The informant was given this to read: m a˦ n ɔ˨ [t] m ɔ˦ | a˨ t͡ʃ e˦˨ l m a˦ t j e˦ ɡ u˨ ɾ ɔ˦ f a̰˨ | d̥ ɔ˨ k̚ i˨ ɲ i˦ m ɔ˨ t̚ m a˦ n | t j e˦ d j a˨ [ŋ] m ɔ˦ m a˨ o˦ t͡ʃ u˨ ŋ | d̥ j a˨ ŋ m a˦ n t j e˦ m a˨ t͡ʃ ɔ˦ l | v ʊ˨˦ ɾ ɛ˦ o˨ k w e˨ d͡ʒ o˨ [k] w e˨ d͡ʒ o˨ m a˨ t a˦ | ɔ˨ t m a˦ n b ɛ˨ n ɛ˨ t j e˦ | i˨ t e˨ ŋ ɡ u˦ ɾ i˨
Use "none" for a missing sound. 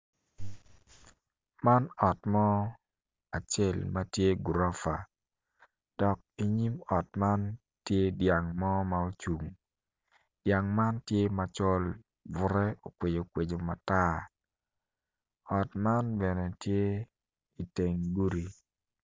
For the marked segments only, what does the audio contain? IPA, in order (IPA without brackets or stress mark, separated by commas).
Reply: t, ŋ, k